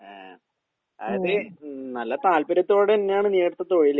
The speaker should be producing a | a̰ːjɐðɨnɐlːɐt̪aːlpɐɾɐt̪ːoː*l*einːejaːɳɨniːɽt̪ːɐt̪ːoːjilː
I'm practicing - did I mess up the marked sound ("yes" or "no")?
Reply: yes